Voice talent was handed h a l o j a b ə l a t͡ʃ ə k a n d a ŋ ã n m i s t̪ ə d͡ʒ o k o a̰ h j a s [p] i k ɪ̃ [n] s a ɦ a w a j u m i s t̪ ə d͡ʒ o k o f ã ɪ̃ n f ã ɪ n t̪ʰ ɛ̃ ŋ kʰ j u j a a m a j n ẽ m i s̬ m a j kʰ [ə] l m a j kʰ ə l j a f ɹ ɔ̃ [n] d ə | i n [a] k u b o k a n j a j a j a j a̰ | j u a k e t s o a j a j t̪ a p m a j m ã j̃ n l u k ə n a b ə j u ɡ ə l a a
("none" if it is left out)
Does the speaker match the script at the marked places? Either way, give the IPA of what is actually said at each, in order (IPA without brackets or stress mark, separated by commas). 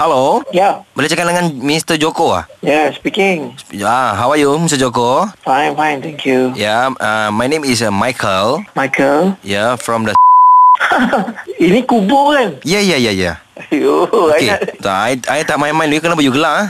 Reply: p, ŋ, ə, m, i